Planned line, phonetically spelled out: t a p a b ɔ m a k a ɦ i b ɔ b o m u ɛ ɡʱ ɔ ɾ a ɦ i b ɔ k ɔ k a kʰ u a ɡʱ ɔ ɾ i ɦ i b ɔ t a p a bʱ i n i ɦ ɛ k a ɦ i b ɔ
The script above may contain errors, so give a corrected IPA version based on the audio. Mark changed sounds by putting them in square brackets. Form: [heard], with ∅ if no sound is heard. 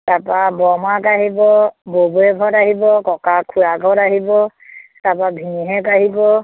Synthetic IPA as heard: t a p a b ɔ m a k a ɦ i b ɔ b o [b] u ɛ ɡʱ ɔ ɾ a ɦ i b ɔ k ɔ k a kʰ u a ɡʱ ɔ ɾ [a] ɦ i b ɔ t a p a bʱ i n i ɦ ɛ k a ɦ i b ɔ